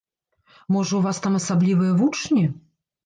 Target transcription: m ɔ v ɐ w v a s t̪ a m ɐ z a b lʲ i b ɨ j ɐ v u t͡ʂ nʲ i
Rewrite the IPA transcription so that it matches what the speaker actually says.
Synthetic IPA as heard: m ɔ ʐ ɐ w v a s t̪ a m ɐ s a b lʲ i v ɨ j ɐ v u t͡ʂ nʲ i